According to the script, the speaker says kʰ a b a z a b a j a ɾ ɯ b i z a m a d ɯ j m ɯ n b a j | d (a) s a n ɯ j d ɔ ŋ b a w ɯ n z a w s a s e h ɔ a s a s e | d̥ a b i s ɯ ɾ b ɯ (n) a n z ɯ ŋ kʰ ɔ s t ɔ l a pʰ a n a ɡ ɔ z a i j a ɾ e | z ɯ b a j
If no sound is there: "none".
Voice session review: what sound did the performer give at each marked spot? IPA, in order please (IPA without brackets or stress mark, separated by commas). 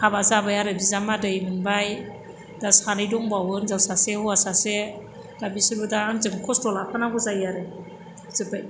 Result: a, d